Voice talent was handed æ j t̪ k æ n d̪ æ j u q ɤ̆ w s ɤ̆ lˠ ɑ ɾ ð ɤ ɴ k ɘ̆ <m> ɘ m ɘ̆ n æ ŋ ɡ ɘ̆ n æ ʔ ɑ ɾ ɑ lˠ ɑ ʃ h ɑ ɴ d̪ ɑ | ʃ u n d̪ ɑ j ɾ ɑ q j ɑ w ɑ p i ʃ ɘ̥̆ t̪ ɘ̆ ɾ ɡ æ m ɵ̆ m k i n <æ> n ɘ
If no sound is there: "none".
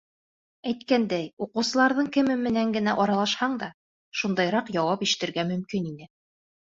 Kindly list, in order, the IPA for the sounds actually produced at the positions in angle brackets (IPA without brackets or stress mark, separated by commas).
m, i